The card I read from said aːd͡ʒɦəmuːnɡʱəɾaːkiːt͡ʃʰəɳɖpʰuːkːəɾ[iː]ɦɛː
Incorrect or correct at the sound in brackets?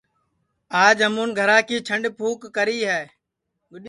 correct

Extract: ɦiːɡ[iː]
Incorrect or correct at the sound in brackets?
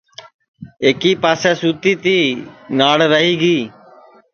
correct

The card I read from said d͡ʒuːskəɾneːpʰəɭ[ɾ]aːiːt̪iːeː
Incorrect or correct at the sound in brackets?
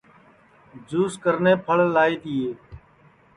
incorrect: l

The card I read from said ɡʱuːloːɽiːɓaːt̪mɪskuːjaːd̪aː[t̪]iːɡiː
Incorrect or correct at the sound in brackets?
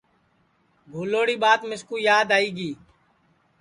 incorrect: none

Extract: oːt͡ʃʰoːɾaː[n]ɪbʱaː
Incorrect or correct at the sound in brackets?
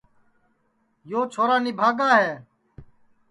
correct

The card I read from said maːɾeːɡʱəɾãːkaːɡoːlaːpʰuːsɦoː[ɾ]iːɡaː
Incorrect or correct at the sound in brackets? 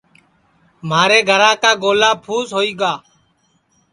incorrect: none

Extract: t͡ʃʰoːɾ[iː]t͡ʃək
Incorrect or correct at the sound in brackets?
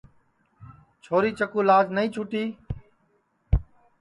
correct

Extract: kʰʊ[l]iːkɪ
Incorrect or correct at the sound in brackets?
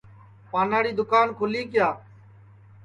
correct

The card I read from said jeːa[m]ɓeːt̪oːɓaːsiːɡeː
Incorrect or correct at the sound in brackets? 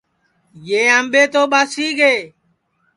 correct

